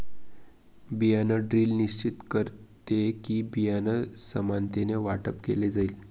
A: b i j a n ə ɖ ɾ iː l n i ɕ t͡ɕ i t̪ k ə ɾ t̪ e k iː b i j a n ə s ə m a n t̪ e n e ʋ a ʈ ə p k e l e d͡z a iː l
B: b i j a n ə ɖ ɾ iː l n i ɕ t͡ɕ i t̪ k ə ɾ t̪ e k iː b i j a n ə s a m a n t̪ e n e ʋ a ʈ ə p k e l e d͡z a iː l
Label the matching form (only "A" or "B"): A